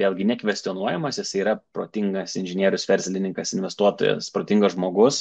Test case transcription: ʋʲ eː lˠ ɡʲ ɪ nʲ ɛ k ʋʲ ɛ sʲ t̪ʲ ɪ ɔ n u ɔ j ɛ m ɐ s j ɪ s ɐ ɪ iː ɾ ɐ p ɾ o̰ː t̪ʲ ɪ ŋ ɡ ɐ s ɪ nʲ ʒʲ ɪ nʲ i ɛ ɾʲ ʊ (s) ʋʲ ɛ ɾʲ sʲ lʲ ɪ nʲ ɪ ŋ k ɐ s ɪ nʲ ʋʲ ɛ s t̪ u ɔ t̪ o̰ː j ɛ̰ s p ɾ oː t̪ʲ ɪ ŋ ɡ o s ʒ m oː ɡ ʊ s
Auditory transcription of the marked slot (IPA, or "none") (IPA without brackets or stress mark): s